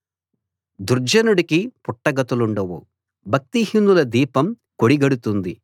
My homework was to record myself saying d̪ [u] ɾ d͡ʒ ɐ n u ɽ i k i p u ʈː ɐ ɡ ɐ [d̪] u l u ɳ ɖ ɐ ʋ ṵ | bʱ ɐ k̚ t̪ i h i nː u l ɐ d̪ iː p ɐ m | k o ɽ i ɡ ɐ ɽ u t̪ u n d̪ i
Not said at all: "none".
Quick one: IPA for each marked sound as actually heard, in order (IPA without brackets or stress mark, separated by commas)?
u, t̪